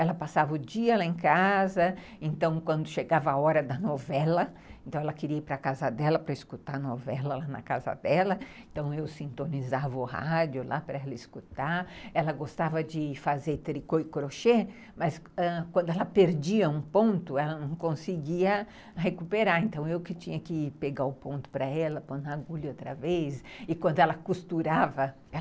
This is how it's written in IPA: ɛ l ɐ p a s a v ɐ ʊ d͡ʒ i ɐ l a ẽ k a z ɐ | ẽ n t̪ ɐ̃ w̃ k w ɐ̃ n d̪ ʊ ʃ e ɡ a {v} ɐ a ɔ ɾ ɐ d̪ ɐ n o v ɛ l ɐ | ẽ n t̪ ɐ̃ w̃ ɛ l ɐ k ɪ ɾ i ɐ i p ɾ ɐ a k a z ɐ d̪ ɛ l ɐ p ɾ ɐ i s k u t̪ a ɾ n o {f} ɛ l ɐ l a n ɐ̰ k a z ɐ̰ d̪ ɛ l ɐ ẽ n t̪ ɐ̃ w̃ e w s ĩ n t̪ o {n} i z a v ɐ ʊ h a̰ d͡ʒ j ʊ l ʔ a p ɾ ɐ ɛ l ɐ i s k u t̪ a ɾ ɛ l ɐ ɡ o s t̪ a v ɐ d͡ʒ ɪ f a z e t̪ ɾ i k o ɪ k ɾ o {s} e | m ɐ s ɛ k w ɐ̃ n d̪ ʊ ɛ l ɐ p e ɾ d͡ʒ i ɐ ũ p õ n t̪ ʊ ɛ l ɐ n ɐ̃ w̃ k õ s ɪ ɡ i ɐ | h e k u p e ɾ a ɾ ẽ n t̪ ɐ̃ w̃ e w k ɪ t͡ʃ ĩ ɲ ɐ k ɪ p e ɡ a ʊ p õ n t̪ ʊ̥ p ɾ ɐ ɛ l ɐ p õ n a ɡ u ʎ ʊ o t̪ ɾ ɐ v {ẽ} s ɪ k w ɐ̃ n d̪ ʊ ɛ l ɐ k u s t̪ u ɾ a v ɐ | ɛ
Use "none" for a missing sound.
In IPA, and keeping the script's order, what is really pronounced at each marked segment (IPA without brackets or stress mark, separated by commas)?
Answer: v, v, n, ʃ, e